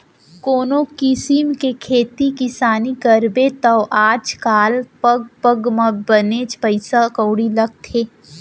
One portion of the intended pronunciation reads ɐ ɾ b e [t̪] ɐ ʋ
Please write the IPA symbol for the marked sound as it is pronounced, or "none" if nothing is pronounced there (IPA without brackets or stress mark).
t̪